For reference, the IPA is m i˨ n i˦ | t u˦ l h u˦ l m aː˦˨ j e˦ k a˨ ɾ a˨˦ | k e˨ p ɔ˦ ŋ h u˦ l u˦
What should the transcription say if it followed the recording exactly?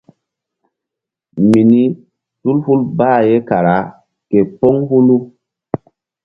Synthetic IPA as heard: m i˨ n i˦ | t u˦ l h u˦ l b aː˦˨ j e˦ k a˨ ɾ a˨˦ | k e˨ p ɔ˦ ŋ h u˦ l u˦